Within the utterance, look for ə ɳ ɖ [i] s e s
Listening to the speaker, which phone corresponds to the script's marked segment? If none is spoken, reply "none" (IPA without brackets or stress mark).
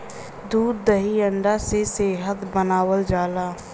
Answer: a